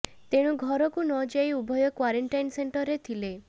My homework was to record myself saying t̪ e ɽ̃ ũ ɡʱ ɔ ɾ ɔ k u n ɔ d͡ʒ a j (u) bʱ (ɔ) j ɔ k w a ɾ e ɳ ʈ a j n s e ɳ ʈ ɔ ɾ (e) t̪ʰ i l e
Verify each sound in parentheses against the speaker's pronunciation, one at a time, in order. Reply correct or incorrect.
correct, correct, correct

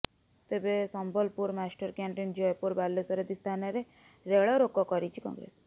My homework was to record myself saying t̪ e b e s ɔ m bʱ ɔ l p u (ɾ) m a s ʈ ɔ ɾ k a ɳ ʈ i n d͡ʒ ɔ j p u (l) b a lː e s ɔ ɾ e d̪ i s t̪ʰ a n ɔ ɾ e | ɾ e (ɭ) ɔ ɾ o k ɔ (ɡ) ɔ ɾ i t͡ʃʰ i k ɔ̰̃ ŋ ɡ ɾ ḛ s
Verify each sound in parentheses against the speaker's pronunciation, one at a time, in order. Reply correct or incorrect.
correct, incorrect, correct, incorrect

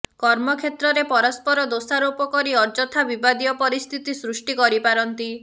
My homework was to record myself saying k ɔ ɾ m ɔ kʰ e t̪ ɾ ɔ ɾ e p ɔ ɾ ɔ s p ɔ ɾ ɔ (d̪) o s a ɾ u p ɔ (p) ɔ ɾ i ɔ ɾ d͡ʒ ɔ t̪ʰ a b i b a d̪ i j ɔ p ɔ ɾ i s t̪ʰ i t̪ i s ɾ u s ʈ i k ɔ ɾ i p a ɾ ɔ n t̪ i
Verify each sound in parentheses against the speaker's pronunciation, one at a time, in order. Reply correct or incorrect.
correct, incorrect

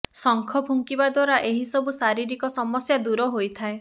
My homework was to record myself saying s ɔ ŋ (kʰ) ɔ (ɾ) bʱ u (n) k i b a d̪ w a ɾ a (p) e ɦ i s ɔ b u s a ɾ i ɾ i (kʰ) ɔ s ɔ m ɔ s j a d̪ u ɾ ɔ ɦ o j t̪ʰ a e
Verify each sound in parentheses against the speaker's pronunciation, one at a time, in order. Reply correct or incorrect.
correct, incorrect, incorrect, incorrect, incorrect

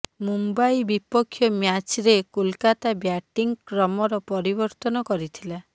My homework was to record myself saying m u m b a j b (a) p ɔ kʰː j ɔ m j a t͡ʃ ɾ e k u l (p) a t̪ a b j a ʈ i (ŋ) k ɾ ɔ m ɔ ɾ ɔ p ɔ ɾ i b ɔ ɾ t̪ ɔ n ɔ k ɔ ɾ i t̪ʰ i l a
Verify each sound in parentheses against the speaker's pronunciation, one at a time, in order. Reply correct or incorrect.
incorrect, incorrect, correct

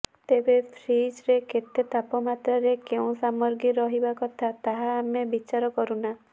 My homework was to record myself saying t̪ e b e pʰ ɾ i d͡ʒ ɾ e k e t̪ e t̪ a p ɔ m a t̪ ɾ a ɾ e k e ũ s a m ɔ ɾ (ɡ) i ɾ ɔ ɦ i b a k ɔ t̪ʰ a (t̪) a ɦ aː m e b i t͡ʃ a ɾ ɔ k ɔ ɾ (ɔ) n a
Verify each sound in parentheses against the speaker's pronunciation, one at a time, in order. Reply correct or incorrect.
correct, correct, incorrect

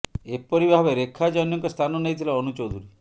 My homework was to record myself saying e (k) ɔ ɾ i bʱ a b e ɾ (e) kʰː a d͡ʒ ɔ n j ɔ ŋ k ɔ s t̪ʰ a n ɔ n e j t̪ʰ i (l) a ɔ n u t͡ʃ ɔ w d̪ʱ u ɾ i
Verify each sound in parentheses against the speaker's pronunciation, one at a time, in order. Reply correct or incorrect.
incorrect, correct, correct

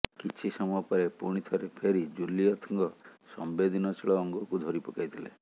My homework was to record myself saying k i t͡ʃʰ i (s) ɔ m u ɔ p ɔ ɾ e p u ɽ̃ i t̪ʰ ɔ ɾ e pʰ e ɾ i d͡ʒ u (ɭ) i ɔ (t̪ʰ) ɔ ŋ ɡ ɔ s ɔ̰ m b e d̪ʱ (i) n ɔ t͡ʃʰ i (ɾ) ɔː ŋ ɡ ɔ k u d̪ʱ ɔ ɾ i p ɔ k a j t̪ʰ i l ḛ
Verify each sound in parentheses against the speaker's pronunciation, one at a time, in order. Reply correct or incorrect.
correct, incorrect, correct, correct, incorrect

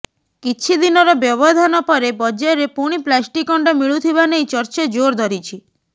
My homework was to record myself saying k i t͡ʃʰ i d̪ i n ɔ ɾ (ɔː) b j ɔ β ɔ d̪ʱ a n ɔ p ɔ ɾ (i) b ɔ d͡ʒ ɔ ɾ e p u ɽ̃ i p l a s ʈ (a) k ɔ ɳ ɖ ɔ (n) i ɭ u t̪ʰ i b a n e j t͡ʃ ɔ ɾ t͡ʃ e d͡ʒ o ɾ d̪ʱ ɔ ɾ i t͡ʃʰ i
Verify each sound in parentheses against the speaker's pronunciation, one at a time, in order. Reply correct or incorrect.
incorrect, incorrect, incorrect, incorrect

